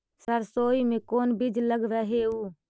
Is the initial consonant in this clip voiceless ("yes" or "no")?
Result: yes